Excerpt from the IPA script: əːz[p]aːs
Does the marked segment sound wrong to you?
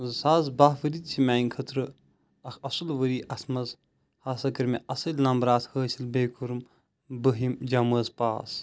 no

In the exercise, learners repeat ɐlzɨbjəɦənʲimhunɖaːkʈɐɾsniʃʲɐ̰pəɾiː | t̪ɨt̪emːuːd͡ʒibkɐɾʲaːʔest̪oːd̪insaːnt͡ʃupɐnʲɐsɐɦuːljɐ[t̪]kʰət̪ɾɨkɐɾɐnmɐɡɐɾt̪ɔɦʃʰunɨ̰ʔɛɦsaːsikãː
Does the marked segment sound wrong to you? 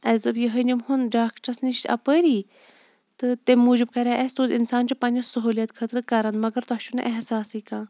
no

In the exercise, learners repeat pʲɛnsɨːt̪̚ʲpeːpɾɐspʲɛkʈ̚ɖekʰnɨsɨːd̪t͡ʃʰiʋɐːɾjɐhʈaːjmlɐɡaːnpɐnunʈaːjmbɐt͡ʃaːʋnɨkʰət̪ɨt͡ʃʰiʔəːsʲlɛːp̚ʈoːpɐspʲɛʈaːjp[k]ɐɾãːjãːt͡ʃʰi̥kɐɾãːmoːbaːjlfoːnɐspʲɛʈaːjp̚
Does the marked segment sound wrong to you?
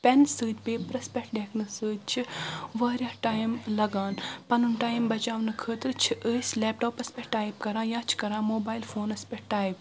no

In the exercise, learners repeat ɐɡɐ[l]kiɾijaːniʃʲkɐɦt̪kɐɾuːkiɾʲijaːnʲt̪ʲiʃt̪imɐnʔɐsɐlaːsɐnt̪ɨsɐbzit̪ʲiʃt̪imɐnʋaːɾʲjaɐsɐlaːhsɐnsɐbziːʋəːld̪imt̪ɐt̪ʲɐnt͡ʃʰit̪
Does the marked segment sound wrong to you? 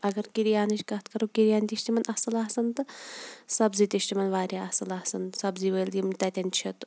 yes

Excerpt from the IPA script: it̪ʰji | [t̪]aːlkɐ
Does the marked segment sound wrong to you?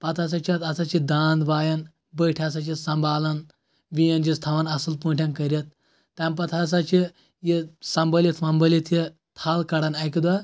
yes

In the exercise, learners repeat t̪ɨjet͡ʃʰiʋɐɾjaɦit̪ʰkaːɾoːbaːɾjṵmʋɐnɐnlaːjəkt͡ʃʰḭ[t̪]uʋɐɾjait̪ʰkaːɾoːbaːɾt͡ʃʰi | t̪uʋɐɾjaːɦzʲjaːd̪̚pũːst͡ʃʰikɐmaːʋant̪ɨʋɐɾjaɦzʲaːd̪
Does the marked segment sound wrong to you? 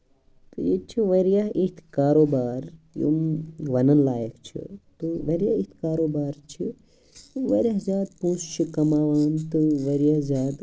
no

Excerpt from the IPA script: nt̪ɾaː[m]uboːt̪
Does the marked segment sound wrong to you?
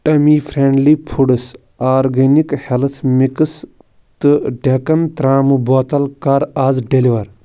no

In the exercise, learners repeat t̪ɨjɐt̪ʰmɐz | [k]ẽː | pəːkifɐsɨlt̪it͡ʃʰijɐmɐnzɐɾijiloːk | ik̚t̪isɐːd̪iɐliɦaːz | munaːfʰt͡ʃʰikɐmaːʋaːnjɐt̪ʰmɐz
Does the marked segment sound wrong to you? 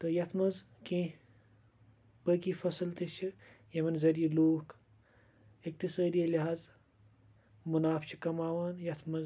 no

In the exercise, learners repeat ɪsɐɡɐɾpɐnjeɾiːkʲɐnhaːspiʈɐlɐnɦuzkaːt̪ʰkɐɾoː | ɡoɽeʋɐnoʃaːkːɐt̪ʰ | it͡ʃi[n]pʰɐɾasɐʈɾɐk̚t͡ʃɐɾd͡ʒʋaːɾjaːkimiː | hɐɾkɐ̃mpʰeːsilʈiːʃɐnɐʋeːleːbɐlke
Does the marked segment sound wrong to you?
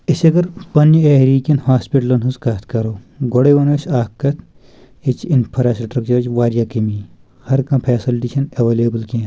no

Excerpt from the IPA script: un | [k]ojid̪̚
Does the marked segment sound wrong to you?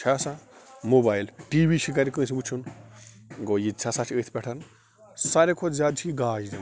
yes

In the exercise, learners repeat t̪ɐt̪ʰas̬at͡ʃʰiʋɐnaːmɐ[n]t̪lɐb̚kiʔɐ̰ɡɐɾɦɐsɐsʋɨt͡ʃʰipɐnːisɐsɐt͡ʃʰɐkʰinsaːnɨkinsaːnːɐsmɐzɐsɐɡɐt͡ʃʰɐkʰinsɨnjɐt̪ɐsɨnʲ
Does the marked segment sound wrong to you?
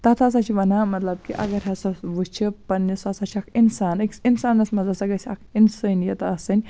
yes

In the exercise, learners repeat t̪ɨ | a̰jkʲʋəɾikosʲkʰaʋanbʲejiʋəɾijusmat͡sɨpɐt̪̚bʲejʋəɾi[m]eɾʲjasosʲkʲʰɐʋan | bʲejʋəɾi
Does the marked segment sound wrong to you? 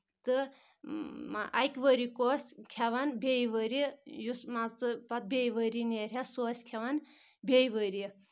yes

